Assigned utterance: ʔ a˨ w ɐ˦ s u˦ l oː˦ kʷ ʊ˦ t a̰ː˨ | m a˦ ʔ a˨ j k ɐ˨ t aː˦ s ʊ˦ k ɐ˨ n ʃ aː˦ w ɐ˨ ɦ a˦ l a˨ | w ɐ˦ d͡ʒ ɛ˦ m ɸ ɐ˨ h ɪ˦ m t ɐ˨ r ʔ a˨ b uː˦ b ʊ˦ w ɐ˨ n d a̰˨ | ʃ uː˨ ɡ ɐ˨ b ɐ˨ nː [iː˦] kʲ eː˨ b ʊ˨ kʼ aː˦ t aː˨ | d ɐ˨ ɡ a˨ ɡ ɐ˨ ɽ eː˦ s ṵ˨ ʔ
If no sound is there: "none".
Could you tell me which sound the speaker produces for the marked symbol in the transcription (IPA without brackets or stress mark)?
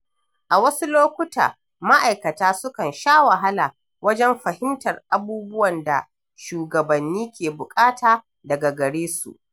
iː˦